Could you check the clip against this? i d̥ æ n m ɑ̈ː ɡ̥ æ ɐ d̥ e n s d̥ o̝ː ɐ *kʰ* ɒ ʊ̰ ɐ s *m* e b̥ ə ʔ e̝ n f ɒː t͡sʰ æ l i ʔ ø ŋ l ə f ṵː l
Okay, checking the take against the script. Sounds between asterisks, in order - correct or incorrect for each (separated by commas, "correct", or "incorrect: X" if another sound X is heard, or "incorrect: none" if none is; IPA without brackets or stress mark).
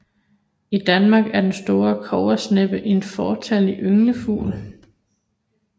correct, incorrect: n